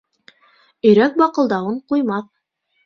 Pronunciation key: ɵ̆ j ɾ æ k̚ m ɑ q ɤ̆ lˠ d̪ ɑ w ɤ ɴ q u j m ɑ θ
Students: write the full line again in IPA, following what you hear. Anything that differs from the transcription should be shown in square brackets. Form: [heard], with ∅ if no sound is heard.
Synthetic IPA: ɵ̆ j ɾ æ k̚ [b] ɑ q ɤ̆ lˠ d̪ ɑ w ɤ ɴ q u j m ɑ θ